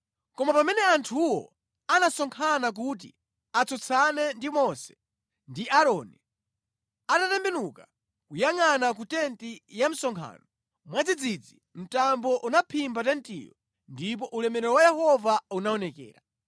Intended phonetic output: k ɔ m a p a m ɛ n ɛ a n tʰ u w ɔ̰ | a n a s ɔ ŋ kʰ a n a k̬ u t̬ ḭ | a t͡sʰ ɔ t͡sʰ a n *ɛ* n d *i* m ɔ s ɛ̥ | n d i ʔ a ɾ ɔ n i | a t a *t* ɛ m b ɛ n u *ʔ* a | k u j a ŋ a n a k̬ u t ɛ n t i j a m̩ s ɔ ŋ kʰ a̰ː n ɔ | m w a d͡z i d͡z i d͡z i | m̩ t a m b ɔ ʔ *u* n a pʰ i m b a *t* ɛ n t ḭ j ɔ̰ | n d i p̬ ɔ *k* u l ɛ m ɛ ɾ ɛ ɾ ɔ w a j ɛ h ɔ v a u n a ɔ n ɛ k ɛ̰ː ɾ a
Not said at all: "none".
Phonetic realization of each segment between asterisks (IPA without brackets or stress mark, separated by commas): ɛ, i, t, k, u, t, ʔ